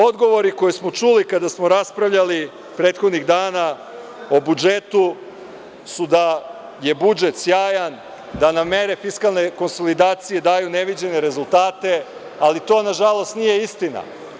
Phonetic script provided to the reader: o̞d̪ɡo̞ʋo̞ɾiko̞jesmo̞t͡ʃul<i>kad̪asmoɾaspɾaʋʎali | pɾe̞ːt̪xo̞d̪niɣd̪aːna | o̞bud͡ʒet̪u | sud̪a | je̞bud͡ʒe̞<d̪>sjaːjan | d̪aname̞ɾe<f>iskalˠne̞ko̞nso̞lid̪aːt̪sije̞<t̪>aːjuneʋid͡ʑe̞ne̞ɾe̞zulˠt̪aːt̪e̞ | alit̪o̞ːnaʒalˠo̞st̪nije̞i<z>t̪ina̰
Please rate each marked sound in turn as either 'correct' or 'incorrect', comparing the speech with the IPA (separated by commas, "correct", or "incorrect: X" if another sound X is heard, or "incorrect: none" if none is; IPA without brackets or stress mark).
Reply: correct, incorrect: t̪, correct, incorrect: d̪, incorrect: s